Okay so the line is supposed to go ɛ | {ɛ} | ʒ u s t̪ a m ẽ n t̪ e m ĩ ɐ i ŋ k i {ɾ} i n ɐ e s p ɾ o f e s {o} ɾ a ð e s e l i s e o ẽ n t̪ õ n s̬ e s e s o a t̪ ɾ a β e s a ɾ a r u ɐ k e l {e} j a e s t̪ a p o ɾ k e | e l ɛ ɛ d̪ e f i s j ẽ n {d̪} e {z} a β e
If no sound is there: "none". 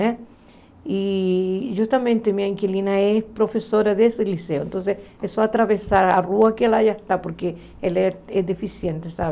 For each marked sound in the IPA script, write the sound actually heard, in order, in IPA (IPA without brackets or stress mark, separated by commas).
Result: i, l, o, a, t̪, s